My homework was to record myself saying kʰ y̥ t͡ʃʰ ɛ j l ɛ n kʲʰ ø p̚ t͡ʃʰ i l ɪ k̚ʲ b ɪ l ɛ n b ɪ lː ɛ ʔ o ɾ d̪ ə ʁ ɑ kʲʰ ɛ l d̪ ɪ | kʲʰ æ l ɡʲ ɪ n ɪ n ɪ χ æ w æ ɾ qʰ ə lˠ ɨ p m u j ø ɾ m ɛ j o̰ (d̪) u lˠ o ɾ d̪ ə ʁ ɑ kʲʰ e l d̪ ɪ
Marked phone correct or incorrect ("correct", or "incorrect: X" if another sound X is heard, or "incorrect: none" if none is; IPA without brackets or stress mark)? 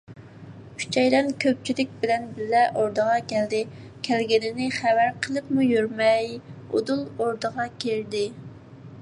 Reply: correct